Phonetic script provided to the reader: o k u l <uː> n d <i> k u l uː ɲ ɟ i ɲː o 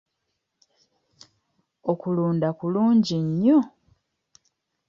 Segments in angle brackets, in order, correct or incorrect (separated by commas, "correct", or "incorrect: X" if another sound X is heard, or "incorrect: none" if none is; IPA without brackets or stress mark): correct, incorrect: a